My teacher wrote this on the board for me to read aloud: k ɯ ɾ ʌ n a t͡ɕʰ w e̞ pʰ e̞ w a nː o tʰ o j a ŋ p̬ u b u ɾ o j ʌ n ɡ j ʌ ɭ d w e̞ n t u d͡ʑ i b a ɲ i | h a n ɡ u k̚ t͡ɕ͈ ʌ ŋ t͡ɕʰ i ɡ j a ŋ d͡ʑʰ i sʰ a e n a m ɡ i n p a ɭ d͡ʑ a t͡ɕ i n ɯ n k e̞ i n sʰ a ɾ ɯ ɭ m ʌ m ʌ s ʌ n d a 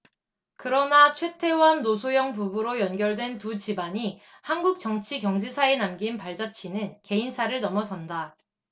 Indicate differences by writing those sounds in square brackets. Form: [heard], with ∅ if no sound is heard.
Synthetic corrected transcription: k ɯ ɾ ʌ n a t͡ɕʰ w e̞ [tʰ] e̞ w a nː o [sʰ] o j [ʌ] ŋ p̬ u b u ɾ o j ʌ n ɡ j ʌ ɭ d w e̞ n t u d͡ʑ i b a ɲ i | h a n ɡ u k̚ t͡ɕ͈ ʌ ŋ t͡ɕʰ i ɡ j [ʌ] ŋ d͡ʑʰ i sʰ a e n a m ɡ i n p a ɭ d͡ʑ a [t͡ɕʰ] i n ɯ n k e̞ i n sʰ a ɾ ɯ ɭ [n] ʌ m ʌ s ʌ n d a